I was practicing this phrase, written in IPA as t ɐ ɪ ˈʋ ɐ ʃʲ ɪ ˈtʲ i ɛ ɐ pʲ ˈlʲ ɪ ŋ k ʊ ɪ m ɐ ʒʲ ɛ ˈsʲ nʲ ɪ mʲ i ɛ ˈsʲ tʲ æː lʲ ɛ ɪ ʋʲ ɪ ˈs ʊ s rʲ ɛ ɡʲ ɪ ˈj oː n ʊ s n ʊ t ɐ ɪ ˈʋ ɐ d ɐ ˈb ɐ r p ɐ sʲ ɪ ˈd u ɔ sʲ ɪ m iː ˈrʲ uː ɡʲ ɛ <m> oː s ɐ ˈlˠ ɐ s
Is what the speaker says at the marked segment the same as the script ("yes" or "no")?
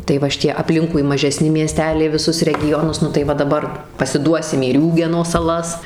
no